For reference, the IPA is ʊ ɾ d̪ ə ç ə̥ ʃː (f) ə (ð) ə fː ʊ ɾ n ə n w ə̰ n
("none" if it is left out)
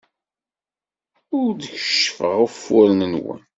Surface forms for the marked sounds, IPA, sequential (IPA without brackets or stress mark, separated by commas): f, ʁ